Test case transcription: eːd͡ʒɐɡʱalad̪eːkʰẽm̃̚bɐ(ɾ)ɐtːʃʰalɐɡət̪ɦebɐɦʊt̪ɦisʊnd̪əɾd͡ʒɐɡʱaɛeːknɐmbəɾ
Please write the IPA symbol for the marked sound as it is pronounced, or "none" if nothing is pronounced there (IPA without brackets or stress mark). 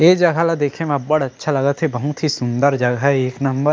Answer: ɽ